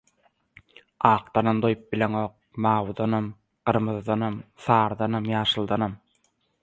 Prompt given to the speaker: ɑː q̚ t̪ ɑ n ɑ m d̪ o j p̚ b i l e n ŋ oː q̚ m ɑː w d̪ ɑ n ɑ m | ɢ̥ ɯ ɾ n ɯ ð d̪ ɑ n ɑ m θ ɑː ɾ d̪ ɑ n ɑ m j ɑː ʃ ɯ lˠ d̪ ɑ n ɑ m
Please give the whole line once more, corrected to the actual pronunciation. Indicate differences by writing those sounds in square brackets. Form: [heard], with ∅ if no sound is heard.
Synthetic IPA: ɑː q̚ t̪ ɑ n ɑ m d̪ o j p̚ b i l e [∅] ŋ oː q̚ m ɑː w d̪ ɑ n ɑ m | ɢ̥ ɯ ɾ [m] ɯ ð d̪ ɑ n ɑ m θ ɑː ɾ d̪ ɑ n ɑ m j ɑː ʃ ɯ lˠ d̪ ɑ n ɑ m